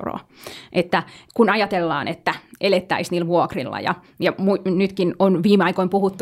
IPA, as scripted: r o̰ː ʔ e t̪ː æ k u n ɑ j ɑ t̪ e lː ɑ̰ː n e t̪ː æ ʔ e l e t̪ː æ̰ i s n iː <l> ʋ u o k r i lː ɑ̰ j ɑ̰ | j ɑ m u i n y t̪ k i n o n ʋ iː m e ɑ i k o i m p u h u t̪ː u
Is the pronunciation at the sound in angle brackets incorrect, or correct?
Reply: correct